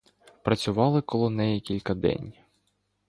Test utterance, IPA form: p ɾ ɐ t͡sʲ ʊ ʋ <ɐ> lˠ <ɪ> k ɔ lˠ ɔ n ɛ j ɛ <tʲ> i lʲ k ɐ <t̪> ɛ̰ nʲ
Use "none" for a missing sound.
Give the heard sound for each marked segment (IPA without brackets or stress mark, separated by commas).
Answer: ɑ, ɪ, kʲ, d̪